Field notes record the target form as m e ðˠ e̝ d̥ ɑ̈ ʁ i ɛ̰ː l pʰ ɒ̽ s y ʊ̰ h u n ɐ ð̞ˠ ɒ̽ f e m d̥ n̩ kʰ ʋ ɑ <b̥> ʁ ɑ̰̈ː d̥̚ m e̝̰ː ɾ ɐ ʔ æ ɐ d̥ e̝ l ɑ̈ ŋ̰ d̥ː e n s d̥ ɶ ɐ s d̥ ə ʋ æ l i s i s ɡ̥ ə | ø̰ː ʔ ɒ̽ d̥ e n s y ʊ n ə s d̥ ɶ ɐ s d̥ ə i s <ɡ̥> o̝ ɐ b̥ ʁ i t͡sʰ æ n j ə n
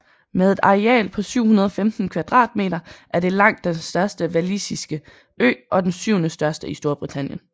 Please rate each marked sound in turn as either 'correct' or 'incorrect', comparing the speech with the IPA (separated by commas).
incorrect, incorrect